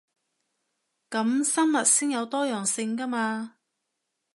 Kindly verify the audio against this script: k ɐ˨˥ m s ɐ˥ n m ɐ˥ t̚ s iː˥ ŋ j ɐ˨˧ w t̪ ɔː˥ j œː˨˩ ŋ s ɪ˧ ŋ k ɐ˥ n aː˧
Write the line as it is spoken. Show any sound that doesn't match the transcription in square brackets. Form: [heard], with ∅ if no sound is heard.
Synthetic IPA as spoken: k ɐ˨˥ m s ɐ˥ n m [ɐ˨] t̚ s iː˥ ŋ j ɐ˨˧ w t̪ ɔː˥ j œː˨˩ ŋ s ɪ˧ ŋ k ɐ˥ [m] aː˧